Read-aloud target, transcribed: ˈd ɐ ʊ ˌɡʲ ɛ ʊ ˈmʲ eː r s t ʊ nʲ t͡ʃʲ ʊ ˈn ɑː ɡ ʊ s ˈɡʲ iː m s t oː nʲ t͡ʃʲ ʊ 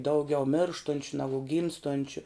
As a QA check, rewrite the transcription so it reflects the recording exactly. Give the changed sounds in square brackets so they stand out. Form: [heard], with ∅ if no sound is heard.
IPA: ˈd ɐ ʊ ˌɡʲ ɛ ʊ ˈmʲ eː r [ʃ] t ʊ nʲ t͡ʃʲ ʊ ˈn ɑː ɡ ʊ [∅] ˈɡʲ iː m s t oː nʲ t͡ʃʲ ʊ